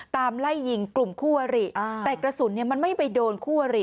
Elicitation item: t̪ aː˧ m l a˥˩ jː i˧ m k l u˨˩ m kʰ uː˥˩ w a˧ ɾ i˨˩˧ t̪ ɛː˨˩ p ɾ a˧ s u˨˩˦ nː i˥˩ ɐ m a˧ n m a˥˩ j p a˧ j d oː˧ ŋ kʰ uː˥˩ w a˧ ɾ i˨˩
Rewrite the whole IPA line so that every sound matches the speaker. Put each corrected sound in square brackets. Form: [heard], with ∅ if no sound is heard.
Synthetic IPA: t̪ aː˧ m l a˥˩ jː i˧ [ŋ] k l u˨˩ m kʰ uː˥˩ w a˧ ɾ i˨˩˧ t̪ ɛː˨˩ [k] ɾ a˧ s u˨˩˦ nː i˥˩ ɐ m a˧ n m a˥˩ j p a˧ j d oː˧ [n] kʰ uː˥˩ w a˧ ɾ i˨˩